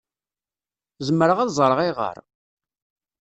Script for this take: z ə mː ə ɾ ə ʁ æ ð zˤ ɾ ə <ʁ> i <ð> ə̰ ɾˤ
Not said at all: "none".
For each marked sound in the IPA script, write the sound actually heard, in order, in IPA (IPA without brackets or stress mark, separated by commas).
ʁ, ʁ